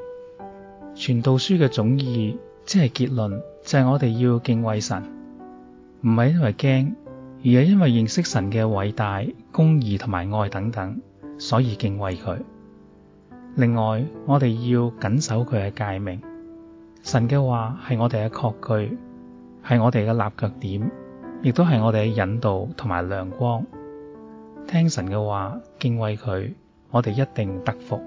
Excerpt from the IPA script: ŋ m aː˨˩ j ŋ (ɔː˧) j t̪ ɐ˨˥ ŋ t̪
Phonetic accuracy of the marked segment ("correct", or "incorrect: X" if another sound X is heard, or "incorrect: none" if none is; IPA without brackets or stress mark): correct